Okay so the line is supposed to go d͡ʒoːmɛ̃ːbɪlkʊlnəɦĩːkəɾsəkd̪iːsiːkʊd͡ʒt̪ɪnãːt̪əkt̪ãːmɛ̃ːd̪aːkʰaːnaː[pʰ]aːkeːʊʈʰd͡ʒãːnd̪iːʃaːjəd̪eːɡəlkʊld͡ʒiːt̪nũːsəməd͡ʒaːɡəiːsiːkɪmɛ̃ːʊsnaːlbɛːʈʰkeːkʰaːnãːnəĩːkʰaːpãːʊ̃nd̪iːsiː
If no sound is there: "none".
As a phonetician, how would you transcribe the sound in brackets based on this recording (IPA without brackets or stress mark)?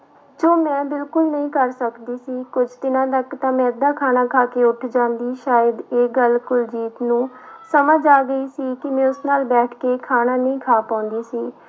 kʰ